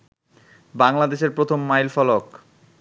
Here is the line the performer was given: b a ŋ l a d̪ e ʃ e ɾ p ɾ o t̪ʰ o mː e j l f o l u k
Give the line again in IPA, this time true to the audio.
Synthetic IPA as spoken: b a ŋ l a d̪ e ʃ e ɾ p ɾ o t̪ʰ o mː a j l f ɔ l o k